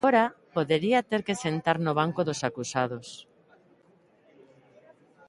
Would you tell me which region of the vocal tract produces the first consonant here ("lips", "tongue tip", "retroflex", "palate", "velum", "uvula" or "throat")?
tongue tip